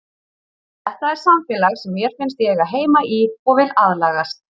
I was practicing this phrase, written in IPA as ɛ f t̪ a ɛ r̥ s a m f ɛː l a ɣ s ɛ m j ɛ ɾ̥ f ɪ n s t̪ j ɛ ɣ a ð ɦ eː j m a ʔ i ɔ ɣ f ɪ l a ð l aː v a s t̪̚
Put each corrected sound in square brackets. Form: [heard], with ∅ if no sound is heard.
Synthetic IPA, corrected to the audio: ɛ [h] t̪ a ɛ [ɾ̥] s a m f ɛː l a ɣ s ɛ m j ɛ ɾ̥ f ɪ n s t̪ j ɛ ɣ a ð ɦ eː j m a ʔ i ɔ ɣ [v] ɪ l a ð l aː [ɣ] a s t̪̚